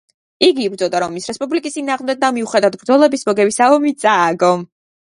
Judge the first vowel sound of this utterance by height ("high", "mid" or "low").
high